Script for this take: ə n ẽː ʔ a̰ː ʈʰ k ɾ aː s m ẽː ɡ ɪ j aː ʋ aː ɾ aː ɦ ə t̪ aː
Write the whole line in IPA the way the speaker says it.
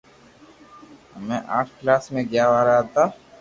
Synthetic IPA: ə m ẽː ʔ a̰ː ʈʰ k l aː s m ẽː ɡ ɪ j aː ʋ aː ɾ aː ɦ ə t̪ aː